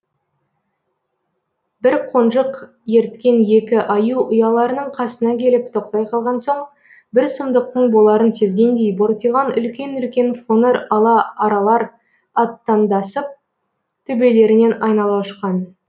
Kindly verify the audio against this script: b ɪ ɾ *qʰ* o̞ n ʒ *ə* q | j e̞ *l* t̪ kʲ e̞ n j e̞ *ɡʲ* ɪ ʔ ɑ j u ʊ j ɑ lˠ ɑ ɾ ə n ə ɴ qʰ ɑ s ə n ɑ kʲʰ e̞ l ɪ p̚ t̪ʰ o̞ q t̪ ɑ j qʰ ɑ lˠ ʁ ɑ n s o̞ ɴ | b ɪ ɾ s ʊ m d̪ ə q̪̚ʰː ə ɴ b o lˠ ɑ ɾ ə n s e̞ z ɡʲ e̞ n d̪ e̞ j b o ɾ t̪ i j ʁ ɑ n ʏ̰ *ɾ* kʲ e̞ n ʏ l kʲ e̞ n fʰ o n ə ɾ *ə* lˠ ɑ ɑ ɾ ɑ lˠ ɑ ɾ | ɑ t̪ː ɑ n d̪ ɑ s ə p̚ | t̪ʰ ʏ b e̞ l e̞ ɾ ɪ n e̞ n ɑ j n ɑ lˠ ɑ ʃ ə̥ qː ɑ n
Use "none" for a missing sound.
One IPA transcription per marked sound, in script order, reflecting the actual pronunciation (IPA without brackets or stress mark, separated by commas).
qʰ, ə, ɾ, kʲ, l, ɑ